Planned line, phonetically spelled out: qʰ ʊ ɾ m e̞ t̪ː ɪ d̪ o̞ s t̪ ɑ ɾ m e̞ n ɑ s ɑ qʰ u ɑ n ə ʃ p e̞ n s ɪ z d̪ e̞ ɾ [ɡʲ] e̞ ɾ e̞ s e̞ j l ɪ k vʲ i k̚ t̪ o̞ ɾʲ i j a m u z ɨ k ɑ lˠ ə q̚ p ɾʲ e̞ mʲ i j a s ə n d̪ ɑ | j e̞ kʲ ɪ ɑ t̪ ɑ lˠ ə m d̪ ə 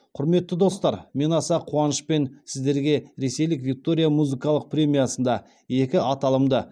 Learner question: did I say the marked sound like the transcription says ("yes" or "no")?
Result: yes